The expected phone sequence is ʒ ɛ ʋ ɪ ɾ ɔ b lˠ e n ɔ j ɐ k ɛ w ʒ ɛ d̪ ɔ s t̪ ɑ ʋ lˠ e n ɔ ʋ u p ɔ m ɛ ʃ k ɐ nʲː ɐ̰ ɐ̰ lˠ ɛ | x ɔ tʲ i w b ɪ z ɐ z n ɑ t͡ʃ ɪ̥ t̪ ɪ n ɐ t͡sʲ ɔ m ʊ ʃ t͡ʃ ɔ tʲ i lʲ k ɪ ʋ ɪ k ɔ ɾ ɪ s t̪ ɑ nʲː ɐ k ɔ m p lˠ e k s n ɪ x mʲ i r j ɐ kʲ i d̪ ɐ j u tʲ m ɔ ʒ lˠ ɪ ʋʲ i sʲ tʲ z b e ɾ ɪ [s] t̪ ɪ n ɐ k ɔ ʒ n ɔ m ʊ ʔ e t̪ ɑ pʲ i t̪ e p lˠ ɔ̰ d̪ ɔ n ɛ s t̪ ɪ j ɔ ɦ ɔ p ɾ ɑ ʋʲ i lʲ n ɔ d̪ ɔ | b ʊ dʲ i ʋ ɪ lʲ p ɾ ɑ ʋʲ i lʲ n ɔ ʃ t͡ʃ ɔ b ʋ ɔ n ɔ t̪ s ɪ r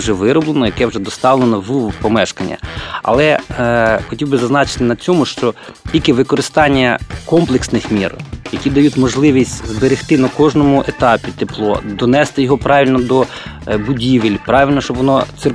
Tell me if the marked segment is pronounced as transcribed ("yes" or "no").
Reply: no